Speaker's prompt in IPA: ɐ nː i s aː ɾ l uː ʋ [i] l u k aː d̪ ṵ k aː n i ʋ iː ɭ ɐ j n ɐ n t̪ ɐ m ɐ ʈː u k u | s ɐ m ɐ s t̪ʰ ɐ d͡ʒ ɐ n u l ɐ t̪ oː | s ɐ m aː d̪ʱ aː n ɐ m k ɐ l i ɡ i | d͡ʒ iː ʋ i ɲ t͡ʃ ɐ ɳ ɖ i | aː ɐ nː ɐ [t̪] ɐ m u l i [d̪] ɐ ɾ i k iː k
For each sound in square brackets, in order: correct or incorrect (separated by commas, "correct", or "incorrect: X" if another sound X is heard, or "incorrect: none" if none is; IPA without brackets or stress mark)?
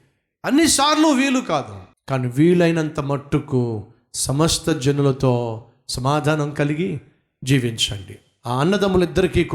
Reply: incorrect: iː, incorrect: d̪, incorrect: d̪ː